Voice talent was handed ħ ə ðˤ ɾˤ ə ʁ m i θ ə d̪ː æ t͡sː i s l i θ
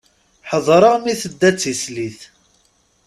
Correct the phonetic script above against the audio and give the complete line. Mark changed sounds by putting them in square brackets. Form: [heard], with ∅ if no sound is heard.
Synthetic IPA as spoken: ħ ə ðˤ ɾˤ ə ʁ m i θ ə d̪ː æ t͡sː i s l i θ